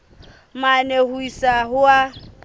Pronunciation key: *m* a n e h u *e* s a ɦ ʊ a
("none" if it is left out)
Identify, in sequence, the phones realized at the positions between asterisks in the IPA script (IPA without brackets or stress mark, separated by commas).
m, i